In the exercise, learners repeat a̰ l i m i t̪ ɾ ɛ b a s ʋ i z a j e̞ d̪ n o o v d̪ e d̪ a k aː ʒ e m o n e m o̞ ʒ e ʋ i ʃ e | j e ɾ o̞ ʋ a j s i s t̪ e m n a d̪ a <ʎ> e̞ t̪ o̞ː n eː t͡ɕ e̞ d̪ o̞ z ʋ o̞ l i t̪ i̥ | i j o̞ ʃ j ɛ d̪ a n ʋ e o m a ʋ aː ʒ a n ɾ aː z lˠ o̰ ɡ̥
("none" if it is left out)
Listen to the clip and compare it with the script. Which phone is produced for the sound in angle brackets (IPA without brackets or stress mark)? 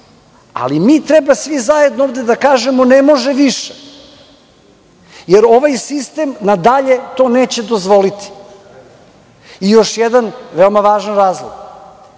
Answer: ʎ